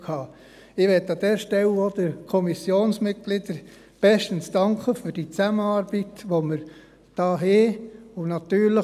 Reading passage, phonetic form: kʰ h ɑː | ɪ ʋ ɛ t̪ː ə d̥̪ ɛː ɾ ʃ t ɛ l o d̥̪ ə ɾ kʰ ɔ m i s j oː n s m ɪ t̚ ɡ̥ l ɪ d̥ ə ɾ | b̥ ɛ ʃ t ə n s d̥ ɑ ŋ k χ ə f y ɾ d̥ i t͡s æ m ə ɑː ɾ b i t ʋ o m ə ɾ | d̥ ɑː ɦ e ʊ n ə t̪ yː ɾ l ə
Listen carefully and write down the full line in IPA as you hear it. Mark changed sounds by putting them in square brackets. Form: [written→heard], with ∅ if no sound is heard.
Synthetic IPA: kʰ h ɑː | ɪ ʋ ɛ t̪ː [ə→ɑ] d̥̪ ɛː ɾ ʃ t ɛ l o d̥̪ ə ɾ kʰ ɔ m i s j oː n s m ɪ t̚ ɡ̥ l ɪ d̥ ə ɾ | b̥ ɛ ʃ t ə n s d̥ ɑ ŋ k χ ə f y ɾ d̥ i t͡s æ m ə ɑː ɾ b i t ʋ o m ə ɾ | d̥ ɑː ɦ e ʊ n [ə→ɑ] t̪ yː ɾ l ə

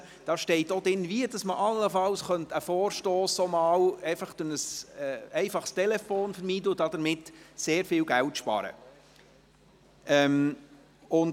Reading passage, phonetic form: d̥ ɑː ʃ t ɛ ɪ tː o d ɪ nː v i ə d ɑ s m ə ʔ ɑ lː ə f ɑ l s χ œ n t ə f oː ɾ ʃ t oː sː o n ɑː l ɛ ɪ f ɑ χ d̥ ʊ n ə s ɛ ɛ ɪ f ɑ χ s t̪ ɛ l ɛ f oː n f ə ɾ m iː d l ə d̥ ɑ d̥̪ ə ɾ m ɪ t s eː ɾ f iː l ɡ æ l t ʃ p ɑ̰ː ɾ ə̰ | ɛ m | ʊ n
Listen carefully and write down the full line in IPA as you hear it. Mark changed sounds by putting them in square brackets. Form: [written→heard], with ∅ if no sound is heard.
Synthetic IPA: d̥ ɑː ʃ t ɛ ɪ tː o d ɪ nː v i ə d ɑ s m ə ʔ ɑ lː ə f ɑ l s χ œ n t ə f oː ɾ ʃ t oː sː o [n→m] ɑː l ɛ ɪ f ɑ χ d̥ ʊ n ə s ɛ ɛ ɪ f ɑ χ s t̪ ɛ l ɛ f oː n f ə ɾ m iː d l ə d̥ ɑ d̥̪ ə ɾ m ɪ t s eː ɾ f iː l ɡ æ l t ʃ p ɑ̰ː ɾ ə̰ | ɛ m | ʊ n

